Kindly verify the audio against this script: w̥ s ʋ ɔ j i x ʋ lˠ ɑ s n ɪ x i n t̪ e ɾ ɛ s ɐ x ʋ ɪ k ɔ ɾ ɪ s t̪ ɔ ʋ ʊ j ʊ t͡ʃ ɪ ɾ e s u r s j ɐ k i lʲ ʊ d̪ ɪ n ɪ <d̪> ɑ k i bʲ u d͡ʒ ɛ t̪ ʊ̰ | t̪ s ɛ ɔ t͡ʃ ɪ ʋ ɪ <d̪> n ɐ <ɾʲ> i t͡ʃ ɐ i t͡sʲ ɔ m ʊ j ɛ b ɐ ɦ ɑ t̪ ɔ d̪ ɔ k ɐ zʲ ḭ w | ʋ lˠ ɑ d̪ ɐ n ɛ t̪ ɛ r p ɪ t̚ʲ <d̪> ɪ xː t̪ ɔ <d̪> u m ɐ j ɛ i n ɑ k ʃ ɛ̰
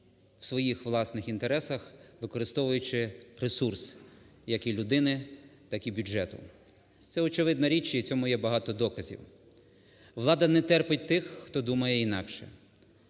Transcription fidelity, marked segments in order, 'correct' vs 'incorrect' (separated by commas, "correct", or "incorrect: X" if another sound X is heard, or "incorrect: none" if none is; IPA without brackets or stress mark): incorrect: t̪, correct, correct, incorrect: t̪, correct